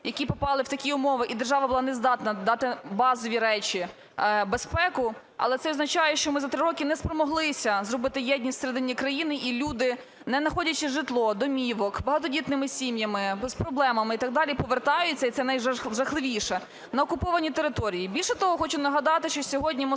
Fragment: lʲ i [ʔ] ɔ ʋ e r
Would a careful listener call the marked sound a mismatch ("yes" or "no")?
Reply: yes